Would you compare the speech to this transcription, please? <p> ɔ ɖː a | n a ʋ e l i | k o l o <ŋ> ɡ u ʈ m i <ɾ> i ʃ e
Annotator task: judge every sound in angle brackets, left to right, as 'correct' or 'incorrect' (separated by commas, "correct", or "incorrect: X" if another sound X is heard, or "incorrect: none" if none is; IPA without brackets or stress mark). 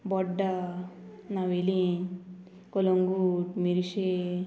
incorrect: b, correct, correct